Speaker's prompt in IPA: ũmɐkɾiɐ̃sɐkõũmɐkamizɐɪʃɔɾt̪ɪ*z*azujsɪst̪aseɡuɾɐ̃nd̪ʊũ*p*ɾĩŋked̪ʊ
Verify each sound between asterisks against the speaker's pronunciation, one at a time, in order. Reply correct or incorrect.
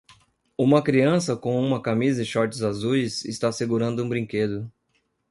correct, incorrect: b

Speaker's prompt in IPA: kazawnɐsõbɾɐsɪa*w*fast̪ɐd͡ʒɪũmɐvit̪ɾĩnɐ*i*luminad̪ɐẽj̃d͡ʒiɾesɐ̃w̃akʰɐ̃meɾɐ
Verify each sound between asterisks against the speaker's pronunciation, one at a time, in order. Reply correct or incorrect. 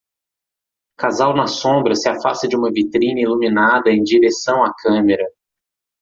incorrect: none, correct

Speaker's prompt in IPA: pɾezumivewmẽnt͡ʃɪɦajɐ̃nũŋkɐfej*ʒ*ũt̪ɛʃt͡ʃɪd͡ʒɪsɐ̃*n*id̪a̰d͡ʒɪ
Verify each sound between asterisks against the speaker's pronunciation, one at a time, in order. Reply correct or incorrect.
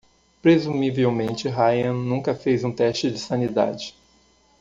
incorrect: z, correct

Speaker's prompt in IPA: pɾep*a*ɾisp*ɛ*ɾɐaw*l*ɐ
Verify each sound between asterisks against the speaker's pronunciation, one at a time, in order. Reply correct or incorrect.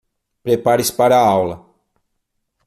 correct, incorrect: a, correct

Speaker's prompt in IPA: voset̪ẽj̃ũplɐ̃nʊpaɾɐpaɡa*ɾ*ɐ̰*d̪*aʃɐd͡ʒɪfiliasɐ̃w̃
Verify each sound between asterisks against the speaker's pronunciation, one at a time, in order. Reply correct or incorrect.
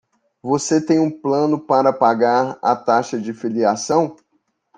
correct, incorrect: t̪

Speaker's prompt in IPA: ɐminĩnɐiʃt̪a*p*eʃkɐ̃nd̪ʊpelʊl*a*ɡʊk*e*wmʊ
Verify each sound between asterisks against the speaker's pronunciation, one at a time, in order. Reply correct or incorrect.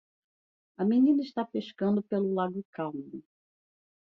correct, correct, incorrect: a

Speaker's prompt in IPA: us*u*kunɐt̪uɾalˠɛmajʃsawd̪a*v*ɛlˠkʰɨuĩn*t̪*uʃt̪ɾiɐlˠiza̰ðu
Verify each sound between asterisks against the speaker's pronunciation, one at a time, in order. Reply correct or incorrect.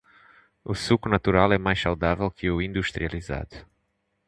correct, correct, incorrect: d̪

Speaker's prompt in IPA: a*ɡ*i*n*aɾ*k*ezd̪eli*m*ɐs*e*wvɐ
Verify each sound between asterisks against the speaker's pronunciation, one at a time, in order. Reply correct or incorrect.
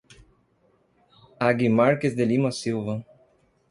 correct, incorrect: m, correct, correct, incorrect: i

